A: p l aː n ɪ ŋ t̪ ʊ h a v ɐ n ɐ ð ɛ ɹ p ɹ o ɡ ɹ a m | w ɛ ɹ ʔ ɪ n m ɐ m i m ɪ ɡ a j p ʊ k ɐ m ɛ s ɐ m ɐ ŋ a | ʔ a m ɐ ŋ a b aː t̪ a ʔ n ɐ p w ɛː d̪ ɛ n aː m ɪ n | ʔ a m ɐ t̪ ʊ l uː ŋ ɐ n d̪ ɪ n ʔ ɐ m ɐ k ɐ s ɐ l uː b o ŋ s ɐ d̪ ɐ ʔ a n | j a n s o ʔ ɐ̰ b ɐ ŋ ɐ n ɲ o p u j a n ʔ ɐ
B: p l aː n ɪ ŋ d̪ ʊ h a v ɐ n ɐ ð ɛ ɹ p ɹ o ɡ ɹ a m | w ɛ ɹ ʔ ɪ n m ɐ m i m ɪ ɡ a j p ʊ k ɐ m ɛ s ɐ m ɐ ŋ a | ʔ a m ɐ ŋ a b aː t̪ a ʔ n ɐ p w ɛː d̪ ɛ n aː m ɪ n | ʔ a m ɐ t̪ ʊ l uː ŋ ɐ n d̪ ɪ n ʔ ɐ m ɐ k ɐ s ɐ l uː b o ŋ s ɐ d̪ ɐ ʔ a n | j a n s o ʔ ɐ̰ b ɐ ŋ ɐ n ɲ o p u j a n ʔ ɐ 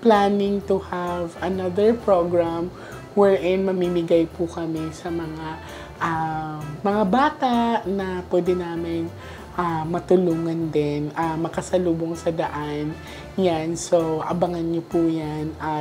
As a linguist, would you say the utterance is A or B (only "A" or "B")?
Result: A